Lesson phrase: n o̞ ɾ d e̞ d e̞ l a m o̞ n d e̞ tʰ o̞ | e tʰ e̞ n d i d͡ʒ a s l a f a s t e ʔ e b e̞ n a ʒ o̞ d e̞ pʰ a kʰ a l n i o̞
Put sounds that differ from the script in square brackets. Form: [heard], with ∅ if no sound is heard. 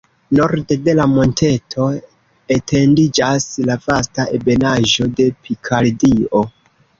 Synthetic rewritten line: n o̞ ɾ d e̞ d e̞ l a m o̞ n [t] e̞ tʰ o̞ | e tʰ e̞ n d i d͡ʒ a s l a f a s t [a] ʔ e b e̞ n a ʒ o̞ d e̞ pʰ [i] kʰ a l [d] i o̞